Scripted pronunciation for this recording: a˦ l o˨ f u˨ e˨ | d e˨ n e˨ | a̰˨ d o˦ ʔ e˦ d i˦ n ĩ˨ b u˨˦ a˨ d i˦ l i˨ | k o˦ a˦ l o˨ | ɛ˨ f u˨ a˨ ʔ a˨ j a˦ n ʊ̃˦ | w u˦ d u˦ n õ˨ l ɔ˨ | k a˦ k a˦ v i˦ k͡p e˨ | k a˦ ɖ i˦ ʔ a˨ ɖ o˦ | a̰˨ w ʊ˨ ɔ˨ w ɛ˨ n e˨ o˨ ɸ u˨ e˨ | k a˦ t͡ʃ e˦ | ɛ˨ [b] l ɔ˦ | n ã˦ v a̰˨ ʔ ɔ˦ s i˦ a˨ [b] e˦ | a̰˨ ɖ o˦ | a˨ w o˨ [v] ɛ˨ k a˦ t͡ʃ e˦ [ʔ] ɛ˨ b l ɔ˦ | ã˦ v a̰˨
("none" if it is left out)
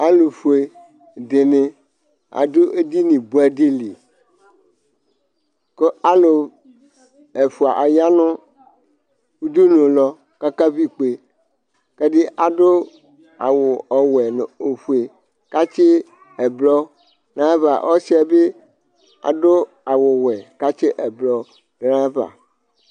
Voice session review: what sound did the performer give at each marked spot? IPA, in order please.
b, b, w, ʔ

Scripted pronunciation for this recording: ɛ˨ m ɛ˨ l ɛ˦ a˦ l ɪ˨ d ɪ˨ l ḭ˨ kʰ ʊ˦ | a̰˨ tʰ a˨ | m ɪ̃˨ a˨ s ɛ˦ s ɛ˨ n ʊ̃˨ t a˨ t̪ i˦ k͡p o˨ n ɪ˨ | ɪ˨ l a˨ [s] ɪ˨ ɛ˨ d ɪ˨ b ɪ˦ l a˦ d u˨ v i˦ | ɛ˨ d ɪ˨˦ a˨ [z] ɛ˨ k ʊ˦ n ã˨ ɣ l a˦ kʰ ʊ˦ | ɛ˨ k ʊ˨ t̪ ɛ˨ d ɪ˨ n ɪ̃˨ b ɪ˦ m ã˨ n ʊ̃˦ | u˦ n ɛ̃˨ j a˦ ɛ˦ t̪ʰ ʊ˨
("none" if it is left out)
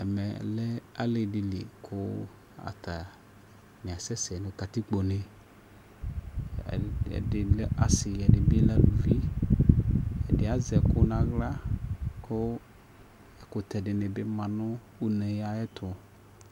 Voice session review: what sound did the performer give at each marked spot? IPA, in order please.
s, z

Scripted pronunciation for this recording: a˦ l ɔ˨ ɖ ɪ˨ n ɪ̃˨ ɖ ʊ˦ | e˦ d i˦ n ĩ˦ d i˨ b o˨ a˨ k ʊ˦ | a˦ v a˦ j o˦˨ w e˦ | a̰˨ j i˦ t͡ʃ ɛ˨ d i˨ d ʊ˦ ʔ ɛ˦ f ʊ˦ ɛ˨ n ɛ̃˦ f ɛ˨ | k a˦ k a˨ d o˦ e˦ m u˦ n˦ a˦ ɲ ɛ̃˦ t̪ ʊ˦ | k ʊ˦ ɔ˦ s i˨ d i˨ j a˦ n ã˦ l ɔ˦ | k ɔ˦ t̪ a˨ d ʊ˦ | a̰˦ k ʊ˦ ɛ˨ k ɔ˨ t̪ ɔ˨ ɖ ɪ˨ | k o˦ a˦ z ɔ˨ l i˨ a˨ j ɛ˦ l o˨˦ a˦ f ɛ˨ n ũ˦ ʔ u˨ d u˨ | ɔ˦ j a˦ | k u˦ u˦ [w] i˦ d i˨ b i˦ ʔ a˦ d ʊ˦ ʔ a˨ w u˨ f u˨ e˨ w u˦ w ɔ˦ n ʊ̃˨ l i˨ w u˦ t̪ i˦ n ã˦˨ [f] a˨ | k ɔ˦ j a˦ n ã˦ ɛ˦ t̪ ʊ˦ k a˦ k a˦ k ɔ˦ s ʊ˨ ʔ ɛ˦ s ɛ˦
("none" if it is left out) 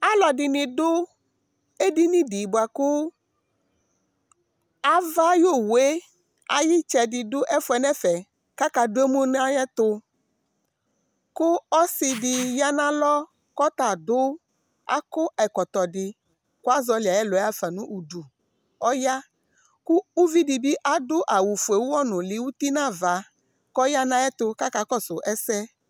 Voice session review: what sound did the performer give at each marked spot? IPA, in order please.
v, v

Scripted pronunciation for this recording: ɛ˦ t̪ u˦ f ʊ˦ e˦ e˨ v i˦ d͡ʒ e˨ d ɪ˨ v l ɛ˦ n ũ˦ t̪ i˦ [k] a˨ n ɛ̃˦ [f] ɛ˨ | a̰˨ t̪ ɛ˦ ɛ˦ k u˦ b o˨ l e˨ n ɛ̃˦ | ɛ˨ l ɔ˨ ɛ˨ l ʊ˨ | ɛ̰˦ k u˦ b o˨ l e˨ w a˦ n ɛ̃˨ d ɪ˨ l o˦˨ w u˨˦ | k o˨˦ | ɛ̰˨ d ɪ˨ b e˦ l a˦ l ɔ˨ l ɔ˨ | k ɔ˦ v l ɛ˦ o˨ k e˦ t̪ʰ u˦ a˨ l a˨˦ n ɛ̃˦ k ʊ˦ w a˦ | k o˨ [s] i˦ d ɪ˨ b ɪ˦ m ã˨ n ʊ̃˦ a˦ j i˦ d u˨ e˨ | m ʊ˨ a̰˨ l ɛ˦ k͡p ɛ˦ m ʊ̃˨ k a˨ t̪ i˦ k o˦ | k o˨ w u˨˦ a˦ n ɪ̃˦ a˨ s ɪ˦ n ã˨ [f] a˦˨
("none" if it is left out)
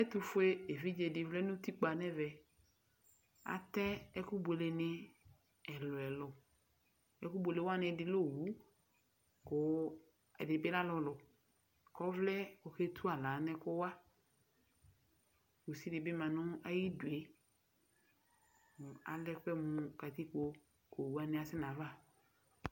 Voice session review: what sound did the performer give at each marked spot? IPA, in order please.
k͡p, v, s, v

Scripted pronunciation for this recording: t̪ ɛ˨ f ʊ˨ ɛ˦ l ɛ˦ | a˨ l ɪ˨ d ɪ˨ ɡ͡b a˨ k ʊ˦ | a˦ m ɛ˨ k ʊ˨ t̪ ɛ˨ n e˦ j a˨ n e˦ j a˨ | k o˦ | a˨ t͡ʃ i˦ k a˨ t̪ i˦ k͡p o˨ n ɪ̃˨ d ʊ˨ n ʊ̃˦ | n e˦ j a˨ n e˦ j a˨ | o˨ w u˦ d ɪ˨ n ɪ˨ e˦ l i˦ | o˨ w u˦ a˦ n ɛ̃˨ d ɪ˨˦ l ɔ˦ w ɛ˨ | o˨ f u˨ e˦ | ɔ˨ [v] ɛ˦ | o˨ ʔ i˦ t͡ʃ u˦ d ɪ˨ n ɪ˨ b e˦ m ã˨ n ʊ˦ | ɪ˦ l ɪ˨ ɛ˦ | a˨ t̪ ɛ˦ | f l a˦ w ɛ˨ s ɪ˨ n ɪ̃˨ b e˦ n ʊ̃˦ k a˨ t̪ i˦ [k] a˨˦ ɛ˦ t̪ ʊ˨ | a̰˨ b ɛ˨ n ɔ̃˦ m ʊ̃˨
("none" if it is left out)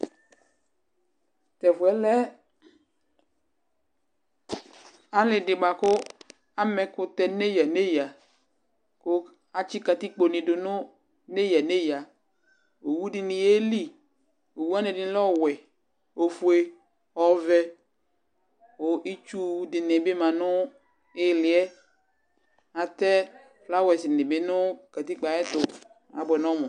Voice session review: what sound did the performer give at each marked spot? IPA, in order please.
v, k͡p

